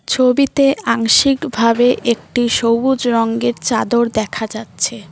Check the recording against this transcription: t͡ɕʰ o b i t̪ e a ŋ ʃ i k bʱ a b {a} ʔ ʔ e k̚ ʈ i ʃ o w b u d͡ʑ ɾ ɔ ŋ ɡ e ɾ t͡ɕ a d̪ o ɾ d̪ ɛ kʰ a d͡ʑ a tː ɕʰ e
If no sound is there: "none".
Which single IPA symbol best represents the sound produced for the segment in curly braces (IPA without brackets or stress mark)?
e